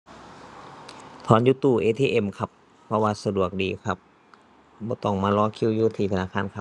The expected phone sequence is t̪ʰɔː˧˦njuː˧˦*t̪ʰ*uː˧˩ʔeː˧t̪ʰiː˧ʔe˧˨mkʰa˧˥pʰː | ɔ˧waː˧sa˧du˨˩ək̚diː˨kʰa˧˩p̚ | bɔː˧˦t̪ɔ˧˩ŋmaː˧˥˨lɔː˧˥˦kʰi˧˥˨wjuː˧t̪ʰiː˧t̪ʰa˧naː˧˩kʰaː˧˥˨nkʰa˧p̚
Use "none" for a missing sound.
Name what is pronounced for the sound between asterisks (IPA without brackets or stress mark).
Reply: t̪